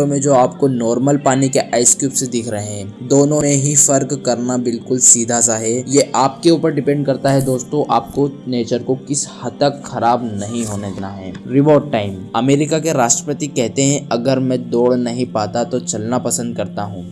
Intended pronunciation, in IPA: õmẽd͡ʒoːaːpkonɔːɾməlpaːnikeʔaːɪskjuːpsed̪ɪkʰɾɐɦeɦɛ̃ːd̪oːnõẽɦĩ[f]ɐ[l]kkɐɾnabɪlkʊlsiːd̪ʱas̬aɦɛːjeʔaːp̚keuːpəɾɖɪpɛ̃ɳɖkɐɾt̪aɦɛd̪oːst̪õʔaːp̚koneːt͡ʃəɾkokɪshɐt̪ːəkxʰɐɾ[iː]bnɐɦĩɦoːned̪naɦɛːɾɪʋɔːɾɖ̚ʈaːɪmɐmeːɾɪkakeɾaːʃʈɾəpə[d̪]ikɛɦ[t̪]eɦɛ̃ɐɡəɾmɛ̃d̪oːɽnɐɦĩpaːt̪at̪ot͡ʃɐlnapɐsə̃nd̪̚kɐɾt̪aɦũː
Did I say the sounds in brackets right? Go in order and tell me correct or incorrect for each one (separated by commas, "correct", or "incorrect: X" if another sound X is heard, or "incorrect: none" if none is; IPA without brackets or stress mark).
correct, incorrect: ɾ, incorrect: aː, incorrect: t̪, correct